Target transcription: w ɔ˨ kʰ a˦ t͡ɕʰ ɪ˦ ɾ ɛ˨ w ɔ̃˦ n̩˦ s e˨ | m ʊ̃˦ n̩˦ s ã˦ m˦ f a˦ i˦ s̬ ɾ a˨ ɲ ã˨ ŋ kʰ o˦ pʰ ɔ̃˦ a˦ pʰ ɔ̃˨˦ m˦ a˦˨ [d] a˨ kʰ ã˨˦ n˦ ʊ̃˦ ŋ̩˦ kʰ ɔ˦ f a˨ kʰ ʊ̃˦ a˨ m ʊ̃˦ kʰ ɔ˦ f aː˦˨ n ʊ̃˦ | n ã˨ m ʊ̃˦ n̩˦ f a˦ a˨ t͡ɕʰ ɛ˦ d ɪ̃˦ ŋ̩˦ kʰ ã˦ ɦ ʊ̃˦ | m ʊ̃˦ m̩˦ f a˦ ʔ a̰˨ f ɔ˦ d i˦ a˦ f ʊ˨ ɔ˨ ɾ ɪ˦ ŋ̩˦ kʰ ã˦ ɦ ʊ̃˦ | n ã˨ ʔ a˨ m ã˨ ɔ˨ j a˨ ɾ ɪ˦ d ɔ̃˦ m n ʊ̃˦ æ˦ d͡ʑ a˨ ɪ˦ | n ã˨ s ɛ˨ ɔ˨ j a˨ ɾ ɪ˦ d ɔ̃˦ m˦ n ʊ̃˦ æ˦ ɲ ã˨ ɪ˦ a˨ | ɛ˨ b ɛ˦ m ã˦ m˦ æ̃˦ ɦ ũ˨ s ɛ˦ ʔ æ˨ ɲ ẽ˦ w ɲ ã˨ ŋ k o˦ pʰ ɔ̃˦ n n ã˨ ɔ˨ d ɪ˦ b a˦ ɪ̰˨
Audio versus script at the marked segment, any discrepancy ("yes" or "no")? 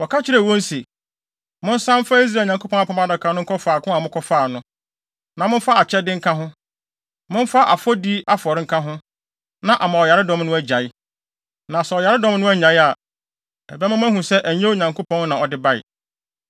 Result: no